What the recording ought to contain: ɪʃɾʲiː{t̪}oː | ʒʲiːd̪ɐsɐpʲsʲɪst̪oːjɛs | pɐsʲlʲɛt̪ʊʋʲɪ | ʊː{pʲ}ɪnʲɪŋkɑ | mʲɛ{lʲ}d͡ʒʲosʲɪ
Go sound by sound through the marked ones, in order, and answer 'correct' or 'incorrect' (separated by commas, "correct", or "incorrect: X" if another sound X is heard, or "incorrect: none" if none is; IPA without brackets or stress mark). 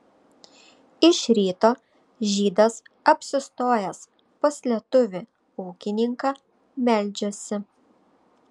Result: correct, incorrect: kʲ, correct